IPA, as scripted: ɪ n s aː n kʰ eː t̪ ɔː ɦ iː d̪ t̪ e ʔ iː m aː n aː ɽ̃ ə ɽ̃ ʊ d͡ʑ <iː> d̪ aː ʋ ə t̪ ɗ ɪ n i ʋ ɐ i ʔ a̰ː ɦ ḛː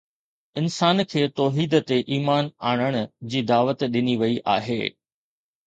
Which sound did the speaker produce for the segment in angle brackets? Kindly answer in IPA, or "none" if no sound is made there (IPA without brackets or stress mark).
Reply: iː